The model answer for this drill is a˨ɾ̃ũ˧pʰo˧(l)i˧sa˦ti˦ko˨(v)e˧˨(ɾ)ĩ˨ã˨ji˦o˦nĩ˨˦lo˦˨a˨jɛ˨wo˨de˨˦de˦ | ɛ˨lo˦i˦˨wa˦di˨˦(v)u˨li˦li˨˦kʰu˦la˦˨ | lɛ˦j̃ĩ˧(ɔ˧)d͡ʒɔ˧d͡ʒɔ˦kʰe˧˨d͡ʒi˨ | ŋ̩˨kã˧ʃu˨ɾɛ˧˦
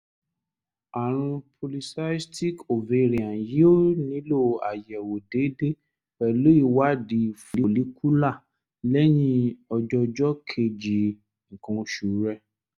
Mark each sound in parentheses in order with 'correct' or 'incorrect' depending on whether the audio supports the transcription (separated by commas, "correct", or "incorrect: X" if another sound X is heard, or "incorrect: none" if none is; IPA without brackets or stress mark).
correct, correct, correct, incorrect: f, correct